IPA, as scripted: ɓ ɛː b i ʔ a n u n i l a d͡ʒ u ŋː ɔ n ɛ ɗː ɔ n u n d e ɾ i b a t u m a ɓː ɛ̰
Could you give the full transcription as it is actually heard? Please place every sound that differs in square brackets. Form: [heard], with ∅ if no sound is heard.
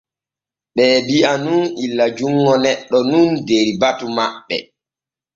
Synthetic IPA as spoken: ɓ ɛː b i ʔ a n u n i [lː] a d͡ʒ u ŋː ɔ n ɛ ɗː ɔ n u n d e ɾ i b a t u m a ɓː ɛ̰